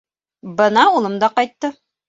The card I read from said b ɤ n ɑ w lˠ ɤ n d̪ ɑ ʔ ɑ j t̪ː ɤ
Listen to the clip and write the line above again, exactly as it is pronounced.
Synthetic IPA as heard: b ɤ n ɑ u lˠ ɤ m d̪ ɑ q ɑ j t̪ː ɤ